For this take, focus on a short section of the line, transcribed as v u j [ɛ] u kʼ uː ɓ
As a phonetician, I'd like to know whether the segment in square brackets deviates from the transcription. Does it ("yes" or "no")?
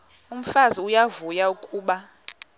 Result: yes